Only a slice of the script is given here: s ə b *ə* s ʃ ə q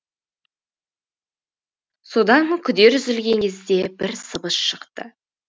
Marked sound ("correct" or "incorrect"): correct